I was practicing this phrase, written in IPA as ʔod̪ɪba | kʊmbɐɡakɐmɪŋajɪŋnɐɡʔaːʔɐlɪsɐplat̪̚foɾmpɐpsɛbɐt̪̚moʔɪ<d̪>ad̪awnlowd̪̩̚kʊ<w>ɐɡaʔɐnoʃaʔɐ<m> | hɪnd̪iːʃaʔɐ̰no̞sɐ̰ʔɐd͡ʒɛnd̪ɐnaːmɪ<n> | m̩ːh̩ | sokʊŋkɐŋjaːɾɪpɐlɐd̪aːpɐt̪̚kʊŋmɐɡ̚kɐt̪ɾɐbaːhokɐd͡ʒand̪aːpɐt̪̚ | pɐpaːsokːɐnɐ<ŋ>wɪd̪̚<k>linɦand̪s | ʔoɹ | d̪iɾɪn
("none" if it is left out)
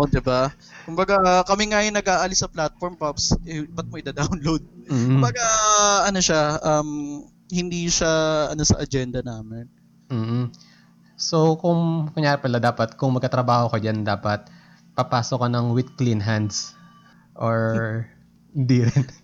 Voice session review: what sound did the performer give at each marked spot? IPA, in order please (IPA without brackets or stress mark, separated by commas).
d̪, b, m, n, ŋ, k